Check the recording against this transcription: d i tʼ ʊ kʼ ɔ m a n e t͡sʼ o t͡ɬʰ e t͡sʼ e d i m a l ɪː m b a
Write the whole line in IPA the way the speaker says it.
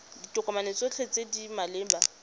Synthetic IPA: d i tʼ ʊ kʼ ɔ m a n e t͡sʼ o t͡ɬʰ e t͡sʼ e d i m a l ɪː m b a

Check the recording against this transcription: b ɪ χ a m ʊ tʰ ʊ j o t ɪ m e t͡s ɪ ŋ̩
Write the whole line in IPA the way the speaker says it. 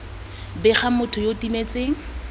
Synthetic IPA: b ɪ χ a m ʊ tʰ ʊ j o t i m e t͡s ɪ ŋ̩

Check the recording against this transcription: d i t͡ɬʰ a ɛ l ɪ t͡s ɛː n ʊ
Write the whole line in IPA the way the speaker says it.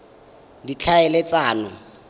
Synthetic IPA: d i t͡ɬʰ a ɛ l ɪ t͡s aː n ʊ

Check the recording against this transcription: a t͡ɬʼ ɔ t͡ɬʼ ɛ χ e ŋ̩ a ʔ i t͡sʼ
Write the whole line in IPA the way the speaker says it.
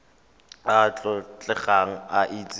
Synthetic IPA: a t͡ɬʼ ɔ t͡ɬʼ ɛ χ a ŋ̩ a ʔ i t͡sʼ

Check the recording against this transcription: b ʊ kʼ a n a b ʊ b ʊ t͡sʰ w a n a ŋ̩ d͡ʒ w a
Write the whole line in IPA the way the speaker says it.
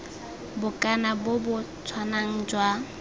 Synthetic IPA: b ʊ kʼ a n a b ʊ b ʊ t͡sʰ w a n a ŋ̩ d͡ʒ w a

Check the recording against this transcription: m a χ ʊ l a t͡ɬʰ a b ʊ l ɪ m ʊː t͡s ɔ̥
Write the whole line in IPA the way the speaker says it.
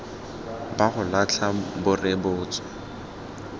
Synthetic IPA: b a χ ʊ l a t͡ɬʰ a b ʊ r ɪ b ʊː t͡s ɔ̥

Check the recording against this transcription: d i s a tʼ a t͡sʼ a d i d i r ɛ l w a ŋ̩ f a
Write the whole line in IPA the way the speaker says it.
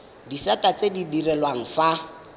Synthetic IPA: d i s a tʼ a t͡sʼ e d i d i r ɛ l w a ŋ̩ f a

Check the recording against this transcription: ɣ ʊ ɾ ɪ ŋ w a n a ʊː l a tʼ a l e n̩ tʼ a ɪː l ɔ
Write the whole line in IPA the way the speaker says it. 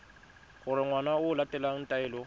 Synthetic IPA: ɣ ʊ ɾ ɪ ŋ w a n a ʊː l a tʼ ɛ l a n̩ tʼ a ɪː l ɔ

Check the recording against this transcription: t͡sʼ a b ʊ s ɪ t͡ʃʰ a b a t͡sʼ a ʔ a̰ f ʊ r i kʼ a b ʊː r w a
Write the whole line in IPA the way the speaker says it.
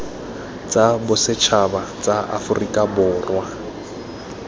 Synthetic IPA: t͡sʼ a b ʊ s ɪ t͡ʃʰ a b a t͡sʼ a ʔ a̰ f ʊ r i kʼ a b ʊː r w a

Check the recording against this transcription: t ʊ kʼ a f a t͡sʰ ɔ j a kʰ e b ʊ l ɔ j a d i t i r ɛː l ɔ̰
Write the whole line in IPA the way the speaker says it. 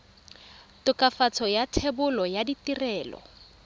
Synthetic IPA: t ʊ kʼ a f a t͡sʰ ɔ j a tʰ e b ʊ l ɔ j a d i t i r ɛː l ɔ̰

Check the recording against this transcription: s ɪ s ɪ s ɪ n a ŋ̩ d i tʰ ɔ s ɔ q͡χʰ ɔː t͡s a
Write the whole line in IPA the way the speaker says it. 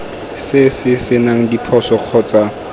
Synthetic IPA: s ɪ s ɪ s ɪ n a ŋ̩ d i pʰ ɔ s ɔ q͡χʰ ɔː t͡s a

